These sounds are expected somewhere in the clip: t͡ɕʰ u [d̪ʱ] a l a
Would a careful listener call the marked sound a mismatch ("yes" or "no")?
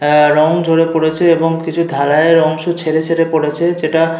no